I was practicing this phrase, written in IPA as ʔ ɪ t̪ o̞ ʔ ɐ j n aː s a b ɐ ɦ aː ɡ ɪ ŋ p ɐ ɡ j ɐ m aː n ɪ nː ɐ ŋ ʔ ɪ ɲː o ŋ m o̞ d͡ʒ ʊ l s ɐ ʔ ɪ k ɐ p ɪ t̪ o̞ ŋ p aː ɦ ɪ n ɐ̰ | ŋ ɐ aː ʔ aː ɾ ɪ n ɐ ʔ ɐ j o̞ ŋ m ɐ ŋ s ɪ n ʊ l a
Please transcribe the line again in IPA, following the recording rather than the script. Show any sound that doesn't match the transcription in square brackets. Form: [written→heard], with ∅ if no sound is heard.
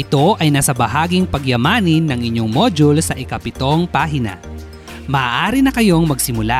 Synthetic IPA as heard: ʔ ɪ t̪ o̞ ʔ ɐ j n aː s [a→ɐ] b ɐ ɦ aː ɡ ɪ ŋ p ɐ ɡ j ɐ m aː n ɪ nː ɐ ŋ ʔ ɪ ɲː o ŋ m o̞ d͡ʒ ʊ l s ɐ ʔ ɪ k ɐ p ɪ t̪ o̞ ŋ p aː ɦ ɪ n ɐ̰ | [ŋ→m] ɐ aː ʔ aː ɾ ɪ n ɐ [ʔ→k] ɐ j o̞ ŋ m ɐ [ŋ→ɡ] s ɪ [n→m] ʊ l a